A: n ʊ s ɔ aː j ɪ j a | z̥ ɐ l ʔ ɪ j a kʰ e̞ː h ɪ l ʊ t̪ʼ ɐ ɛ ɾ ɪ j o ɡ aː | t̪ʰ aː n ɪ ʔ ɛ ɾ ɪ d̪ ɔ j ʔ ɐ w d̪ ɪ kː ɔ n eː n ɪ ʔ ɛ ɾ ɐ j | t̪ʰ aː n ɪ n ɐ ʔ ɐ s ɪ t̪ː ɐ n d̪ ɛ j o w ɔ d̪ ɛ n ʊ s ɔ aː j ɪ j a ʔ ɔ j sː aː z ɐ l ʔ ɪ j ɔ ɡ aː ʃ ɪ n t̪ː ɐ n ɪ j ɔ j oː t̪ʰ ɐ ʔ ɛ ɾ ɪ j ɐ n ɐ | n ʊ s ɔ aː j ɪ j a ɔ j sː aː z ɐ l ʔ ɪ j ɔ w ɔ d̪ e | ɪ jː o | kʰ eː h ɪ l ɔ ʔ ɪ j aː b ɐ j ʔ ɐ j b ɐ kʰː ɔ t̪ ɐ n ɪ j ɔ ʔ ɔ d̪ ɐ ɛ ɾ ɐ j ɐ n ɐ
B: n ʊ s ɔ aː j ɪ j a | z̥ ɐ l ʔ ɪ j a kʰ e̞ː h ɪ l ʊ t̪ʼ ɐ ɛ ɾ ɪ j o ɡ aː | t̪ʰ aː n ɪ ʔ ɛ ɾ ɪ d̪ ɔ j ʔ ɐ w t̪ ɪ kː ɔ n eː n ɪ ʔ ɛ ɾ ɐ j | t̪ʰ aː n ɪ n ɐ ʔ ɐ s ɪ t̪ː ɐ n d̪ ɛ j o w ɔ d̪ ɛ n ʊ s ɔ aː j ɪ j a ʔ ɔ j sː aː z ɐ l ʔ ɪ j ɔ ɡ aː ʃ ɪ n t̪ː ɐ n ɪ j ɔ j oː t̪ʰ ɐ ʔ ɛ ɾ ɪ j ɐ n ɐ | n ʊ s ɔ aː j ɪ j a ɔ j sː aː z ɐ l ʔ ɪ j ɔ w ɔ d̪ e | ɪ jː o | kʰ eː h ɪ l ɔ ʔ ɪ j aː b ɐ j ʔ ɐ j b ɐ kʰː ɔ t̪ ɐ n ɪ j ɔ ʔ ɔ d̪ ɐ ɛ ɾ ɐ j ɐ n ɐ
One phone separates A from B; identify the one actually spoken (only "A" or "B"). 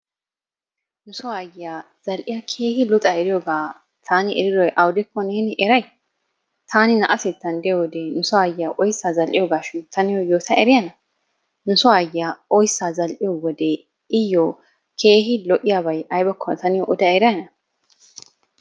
A